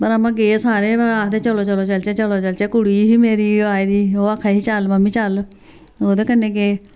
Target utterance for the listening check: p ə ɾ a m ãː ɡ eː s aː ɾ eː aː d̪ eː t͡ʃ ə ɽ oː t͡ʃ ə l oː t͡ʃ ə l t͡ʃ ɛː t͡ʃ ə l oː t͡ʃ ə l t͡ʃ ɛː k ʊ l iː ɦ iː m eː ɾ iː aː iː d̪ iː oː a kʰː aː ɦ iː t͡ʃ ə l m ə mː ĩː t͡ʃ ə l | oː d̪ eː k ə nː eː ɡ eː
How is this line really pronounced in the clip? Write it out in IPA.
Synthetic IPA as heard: p ə ɾ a m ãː ɡ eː s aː ɾ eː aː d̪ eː t͡ʃ ə l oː t͡ʃ ə l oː t͡ʃ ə l t͡ʃ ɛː t͡ʃ ə l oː t͡ʃ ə l t͡ʃ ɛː k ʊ ɽ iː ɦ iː m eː ɾ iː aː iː d̪ iː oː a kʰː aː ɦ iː t͡ʃ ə l m ə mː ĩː t͡ʃ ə l | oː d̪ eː k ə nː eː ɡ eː